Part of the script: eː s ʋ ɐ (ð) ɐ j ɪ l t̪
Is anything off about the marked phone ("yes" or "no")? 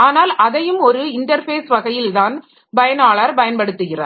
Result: yes